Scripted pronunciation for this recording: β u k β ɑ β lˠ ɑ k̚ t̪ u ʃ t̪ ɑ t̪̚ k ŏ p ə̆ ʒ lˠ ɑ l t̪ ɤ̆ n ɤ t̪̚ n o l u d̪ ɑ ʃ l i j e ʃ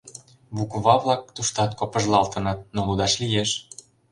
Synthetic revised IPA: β u k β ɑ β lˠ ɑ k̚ t̪ u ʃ t̪ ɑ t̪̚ k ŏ p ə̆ ʒ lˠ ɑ l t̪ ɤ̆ n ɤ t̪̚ n o l u d̪ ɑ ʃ l i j e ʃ